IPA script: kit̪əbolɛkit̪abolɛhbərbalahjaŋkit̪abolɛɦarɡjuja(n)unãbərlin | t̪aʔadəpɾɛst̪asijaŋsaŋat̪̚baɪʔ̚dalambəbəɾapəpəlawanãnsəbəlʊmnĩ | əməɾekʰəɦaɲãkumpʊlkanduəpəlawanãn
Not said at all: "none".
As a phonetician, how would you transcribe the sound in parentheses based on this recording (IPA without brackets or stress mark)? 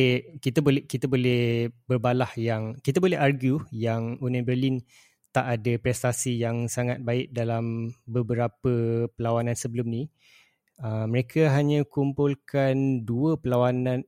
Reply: ŋ